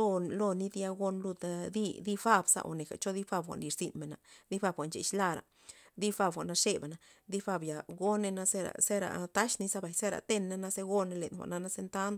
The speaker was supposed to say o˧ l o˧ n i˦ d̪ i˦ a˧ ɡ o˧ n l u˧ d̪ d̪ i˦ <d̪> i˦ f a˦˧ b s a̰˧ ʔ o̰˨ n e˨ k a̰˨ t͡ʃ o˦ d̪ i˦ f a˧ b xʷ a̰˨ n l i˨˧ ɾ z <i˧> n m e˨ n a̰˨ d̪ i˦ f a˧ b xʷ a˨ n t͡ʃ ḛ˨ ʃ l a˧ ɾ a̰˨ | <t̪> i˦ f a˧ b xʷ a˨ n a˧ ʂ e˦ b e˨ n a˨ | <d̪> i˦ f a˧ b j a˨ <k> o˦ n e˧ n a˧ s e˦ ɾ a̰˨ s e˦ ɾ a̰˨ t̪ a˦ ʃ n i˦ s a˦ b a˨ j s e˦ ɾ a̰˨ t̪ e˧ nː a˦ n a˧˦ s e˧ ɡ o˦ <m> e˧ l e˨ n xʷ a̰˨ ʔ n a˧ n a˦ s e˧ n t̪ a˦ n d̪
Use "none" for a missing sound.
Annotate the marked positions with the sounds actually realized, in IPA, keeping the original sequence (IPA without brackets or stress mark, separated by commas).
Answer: d̪, i˧, d̪, d̪, ɡ, n